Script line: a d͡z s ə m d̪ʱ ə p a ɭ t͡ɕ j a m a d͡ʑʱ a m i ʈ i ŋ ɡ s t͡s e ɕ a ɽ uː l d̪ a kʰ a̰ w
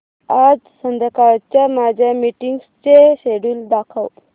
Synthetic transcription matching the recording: a d͡z s ə n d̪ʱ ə k a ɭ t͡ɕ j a m a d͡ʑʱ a m i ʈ i ŋ ɡ s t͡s e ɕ e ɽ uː l d̪ a kʰ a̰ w

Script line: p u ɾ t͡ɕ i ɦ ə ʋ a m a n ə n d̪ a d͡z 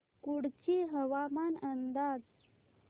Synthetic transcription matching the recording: k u ɽ t͡ɕ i ɦ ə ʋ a m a n ə n d̪ a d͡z

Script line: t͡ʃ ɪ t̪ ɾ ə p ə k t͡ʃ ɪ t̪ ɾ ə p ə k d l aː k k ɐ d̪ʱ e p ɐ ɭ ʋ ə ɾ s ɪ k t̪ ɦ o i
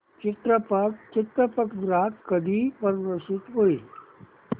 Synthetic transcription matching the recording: t͡ʃ ɪ t̪ ɾ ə p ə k t͡ʃ ɪ t̪ ɾ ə p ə k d ɾ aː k k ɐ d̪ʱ i p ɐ ɾ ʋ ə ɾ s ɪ t̪ ɦ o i

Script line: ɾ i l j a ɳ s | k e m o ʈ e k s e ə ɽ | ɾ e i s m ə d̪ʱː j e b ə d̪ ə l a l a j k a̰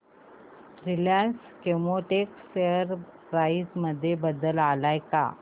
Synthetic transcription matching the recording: ɾ i l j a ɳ s | k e m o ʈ e k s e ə ɾ | ɾ a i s m ə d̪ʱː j e b ə d̪ ə l a l a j k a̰

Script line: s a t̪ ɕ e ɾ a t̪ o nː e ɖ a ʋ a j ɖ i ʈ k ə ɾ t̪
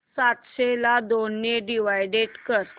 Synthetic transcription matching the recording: s a t̪ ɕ e l a d̪ o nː e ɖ i ʋ a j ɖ e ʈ k ə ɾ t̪

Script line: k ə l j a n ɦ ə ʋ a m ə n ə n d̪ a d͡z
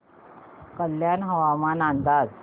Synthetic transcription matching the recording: k ə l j a n ɦ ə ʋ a m a n a n d̪ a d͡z

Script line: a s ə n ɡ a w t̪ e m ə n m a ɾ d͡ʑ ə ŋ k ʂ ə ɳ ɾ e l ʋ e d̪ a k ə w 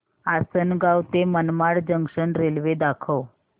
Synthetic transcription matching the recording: a s ə n ɡ a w t̪ e m ə n m a ɽ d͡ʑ ə ŋ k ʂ ə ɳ ɾ e l ʋ e d̪ a kʰ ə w

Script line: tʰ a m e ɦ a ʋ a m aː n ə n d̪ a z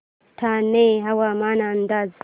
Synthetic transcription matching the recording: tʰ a n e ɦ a w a m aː n a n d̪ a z

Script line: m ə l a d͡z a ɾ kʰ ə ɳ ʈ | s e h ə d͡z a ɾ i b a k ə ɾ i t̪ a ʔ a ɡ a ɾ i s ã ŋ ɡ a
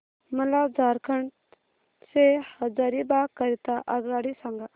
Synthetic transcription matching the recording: m ə l a d͡z a ɾ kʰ ə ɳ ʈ | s e h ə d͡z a ɾ i b a k ə ɾ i t̪ a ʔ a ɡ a ɽ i s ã ŋ ɡ a

